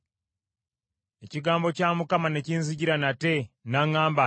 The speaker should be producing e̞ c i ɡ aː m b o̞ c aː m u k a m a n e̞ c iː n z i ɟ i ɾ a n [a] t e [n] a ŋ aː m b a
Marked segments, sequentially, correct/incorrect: correct, correct

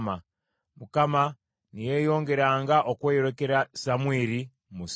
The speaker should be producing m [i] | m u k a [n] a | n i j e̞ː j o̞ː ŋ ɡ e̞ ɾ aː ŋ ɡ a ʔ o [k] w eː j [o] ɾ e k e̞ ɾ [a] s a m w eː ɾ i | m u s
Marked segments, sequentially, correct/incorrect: incorrect, incorrect, correct, correct, correct

